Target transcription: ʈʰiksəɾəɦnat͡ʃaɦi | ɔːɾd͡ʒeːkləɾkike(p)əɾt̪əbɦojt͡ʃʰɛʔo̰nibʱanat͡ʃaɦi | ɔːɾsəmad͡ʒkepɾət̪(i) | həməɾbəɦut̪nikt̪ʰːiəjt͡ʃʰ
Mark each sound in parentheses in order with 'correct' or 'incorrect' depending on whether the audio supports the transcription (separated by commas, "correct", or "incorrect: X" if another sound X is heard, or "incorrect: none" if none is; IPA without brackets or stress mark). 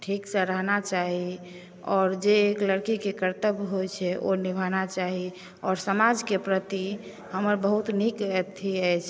incorrect: k, correct